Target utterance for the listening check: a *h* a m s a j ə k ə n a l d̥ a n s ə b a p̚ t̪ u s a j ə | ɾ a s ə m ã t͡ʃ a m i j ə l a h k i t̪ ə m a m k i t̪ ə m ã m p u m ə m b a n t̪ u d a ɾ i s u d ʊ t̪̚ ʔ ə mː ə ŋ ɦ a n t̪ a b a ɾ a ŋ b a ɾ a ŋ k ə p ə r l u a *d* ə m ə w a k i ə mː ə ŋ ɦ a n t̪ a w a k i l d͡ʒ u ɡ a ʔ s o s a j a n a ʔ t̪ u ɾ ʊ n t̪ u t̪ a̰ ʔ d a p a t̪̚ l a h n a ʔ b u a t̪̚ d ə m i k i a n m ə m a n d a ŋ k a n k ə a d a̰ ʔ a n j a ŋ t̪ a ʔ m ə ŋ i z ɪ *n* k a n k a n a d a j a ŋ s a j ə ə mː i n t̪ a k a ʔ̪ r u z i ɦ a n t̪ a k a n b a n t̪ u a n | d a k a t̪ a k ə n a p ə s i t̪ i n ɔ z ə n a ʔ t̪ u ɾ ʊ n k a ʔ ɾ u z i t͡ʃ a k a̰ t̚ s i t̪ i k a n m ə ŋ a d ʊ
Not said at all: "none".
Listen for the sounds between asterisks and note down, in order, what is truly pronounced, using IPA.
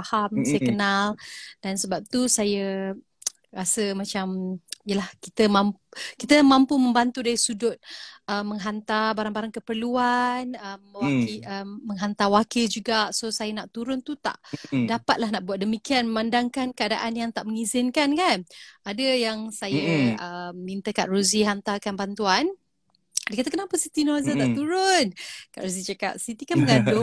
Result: h, n, n

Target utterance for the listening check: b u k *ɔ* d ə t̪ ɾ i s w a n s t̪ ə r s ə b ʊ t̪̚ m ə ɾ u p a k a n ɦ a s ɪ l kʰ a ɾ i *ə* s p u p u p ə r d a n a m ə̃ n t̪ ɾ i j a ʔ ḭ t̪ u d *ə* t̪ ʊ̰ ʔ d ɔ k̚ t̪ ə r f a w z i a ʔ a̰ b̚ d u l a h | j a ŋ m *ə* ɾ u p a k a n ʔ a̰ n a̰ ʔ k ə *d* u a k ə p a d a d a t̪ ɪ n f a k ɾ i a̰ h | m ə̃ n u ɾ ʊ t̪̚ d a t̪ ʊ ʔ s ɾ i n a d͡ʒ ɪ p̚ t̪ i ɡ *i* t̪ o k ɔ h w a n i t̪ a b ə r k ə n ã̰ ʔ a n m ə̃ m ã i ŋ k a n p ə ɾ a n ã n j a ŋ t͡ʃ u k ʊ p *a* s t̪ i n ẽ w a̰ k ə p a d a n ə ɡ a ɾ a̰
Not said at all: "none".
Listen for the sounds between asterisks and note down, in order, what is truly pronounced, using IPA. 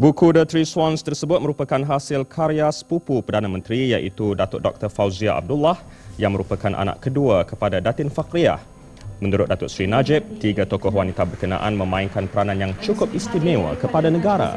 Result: u, a, a, ə, d, a, i

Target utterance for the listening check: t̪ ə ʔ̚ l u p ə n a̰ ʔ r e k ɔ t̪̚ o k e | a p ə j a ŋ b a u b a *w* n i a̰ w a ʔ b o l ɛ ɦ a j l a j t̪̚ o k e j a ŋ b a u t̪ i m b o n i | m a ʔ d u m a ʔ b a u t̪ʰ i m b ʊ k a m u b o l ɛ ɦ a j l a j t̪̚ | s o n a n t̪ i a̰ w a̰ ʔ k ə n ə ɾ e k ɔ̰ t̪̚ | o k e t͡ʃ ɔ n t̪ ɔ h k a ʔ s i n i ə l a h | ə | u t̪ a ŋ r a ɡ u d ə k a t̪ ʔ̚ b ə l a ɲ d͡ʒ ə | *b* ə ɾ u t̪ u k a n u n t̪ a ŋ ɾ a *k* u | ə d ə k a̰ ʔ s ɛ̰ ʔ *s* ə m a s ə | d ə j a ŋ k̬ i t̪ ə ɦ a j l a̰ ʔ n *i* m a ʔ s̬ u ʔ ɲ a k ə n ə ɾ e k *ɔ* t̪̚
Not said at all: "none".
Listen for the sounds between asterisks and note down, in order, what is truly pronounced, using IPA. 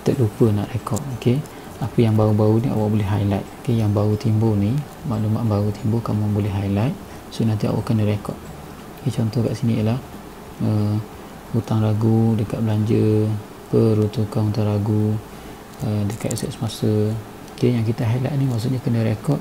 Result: u, p, ɡ, s, i, ɔ

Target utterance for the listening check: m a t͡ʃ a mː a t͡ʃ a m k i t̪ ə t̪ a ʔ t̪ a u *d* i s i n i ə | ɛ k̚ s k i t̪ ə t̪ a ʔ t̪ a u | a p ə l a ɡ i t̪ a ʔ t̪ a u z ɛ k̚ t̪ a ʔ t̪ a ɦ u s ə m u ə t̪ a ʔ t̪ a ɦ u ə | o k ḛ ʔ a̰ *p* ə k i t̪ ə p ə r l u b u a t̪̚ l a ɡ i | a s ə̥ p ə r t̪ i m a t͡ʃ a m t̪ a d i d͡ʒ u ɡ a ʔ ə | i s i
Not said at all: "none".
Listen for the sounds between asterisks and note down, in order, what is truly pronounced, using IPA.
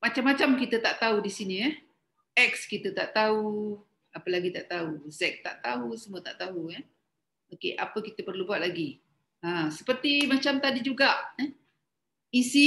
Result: d, p

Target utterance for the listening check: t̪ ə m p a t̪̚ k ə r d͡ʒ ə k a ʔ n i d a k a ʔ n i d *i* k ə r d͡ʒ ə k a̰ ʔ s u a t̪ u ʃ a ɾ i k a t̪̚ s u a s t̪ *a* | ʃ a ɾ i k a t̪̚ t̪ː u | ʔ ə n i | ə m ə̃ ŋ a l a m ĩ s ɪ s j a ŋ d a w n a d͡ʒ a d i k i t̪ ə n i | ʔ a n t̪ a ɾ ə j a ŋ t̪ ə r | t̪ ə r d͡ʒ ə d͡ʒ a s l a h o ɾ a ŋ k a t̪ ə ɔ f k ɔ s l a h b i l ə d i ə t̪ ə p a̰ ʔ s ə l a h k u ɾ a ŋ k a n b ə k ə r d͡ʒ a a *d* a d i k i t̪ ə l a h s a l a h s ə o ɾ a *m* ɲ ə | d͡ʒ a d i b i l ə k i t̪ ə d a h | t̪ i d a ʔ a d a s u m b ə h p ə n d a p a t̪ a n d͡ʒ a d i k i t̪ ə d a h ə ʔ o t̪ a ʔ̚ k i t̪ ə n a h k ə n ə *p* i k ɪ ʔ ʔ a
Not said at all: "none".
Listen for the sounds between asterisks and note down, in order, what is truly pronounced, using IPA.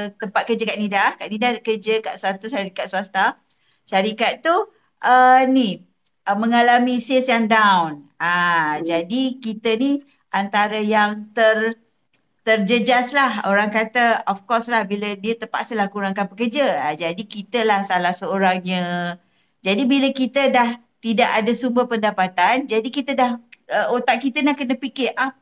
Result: a, a, d͡ʒ, ŋ, p

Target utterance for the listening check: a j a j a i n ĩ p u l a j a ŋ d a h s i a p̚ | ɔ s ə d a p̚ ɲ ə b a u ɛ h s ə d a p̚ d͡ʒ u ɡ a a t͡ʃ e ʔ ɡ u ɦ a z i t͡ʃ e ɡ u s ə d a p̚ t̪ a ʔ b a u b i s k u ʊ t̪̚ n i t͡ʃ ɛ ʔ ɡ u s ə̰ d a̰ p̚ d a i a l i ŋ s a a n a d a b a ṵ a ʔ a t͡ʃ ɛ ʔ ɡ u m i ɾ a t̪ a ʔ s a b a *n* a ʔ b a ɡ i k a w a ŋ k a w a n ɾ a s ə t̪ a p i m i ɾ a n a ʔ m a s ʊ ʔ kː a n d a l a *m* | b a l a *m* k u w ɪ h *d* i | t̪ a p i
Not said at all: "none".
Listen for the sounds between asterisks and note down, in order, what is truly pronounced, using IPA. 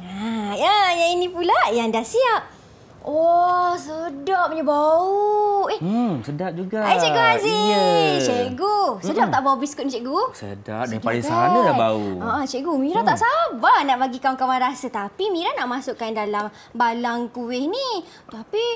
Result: n, m, ŋ, n

